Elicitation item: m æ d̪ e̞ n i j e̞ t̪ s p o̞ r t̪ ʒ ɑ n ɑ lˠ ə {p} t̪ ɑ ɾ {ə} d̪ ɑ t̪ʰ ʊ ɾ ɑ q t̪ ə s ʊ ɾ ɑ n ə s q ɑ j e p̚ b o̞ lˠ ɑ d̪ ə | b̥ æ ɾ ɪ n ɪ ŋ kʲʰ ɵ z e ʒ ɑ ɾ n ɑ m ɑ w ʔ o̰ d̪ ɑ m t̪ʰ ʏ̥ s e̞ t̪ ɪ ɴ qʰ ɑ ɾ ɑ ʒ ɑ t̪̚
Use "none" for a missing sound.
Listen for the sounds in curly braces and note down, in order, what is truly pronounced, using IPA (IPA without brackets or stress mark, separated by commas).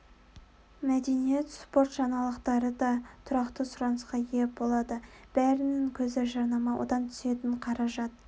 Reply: q, ə